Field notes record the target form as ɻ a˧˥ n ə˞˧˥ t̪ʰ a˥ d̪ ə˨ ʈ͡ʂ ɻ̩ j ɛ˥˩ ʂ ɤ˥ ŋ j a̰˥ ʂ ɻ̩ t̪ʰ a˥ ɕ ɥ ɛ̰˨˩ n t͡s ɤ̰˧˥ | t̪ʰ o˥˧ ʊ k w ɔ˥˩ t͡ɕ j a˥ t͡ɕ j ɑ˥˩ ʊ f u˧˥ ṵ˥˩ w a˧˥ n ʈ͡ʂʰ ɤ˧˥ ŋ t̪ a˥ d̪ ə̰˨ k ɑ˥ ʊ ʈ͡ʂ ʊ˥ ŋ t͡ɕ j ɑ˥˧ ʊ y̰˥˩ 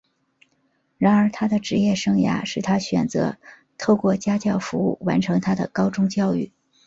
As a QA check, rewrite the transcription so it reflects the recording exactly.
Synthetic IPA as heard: ɻ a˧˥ n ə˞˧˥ t̪ʰ a˥ d̪ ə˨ ʈ͡ʂ ɻ̩ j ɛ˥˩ ʂ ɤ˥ ŋ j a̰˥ ʂ ɻ̩ t̪ʰ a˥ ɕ ɥ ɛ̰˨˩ n t͡s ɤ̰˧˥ | t̪ʰ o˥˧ ʊ k w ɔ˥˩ t͡ɕ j a˥ t͡ɕ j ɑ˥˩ ʊ f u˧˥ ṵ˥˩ w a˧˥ n ʈ͡ʂʰ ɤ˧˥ ŋ t̪ʰ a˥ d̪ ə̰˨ k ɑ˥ ʊ ʈ͡ʂ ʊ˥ ŋ t͡ɕ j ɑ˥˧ ʊ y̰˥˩